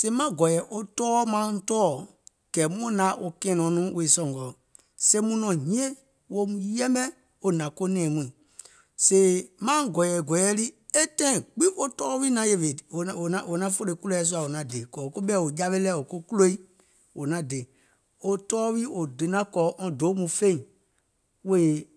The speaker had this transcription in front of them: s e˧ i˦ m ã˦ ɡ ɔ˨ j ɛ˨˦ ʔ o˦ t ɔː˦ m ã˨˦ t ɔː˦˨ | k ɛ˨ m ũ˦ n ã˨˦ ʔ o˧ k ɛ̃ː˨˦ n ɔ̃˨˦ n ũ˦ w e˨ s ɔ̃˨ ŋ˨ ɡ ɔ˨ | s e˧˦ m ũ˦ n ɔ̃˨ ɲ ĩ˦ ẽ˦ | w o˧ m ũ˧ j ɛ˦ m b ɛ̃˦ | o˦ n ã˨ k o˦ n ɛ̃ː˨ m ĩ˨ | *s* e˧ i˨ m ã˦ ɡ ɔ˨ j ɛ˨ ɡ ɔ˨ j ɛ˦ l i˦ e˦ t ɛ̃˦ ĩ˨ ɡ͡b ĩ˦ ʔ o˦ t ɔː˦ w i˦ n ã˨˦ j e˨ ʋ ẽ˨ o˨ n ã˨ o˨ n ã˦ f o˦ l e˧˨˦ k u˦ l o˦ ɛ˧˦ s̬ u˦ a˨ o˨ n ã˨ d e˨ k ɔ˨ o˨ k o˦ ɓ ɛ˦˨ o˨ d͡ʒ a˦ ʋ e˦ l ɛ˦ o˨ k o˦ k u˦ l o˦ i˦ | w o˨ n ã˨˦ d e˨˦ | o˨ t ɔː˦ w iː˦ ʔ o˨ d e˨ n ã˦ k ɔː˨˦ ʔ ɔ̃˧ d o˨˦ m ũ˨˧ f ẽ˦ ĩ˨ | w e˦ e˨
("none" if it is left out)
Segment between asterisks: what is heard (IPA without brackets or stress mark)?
s